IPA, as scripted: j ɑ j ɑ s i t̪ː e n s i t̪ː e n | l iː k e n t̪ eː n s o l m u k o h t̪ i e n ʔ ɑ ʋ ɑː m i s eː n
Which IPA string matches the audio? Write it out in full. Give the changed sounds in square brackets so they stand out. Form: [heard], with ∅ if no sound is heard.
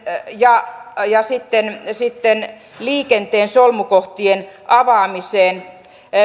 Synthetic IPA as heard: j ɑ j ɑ s i t̪ː e n s i t̪ː e n | l iː k e n t̪ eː n s o l m u k o h t̪ i e n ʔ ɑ ʋ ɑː m i s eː n